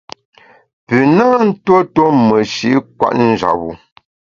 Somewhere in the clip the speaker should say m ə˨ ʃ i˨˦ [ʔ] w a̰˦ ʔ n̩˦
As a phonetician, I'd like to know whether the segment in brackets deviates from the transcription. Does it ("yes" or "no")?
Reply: yes